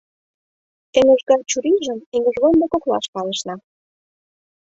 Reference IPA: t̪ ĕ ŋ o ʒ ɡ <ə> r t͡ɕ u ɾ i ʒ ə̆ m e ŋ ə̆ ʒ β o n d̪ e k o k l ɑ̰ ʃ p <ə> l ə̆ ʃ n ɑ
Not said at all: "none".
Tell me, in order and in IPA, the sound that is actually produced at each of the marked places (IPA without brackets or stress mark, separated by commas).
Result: ɑ, ɑ